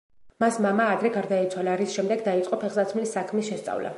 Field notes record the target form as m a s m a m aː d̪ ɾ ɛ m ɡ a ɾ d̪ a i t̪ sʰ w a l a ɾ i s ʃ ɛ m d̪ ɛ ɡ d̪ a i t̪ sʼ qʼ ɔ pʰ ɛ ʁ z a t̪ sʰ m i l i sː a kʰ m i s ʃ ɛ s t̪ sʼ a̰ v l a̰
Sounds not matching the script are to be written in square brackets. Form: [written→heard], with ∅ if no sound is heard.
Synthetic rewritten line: m a s m a m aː d̪ ɾ ɛ [m→∅] ɡ a ɾ d̪ a i t̪ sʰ w a l a ɾ i s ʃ ɛ m d̪ ɛ ɡ d̪ a i t̪ sʼ qʼ ɔ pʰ ɛ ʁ z a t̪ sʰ m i l i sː a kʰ m i s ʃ ɛ s t̪ sʼ a̰ v l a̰